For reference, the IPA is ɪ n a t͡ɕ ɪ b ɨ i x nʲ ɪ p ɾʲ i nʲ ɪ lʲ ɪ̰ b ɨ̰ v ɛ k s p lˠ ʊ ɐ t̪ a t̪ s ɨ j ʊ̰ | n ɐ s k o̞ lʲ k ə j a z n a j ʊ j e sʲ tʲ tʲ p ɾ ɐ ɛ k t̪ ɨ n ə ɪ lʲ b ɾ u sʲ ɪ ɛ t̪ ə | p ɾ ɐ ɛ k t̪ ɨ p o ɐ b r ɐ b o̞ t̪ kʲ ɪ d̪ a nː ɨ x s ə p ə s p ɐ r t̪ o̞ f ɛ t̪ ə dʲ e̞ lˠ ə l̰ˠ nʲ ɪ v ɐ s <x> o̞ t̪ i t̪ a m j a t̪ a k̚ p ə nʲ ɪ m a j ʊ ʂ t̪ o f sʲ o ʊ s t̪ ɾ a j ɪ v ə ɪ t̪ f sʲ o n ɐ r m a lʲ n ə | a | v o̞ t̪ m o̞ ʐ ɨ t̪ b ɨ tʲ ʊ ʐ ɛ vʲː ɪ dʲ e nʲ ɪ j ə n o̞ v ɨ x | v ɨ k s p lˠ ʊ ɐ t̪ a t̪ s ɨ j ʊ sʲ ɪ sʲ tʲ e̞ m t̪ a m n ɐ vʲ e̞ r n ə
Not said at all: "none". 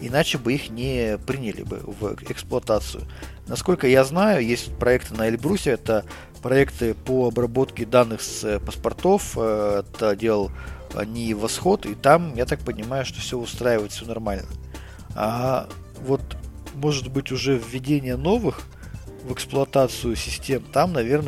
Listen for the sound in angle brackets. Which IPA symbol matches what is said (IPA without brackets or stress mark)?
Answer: x